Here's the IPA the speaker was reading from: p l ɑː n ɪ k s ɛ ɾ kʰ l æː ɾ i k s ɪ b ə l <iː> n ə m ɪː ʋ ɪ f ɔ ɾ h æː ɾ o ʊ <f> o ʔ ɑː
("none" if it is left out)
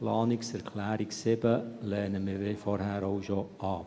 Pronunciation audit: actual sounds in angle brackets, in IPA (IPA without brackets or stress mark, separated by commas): ɛː, ʃ